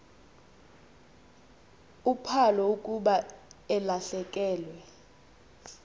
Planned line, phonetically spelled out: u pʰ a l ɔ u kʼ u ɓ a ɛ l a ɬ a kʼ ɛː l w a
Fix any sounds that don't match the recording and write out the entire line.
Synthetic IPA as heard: u pʰ a l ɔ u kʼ u ɓ a ɛ l a ɬ ɛ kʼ ɛː l w ɛ

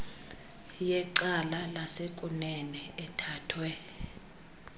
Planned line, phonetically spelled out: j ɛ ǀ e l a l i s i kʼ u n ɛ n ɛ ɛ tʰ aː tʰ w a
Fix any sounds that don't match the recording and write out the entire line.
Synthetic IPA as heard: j ɛ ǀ a l a l a s e kʼ u n ɛ n ɛ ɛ tʰ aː tʰ w ɛ

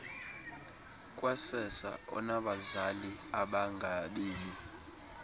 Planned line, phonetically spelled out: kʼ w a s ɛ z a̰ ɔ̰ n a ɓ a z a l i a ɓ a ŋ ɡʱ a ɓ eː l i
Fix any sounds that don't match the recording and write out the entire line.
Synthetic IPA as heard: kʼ w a s ɛ s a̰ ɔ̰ n a ɓ a z a l i a ɓ a ŋ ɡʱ a ɓ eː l i

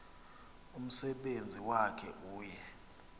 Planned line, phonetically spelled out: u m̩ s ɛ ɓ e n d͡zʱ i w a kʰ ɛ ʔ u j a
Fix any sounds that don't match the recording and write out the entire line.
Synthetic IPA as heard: u m̩ s ɛ ɓ e n d͡zʱ i w a kʰ ɛ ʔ uː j ɛ

